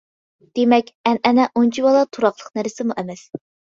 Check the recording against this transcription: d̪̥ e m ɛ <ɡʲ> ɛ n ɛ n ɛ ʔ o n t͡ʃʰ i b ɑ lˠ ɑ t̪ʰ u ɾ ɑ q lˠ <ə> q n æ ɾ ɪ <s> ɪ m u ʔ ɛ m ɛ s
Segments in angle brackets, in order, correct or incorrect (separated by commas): incorrect, correct, correct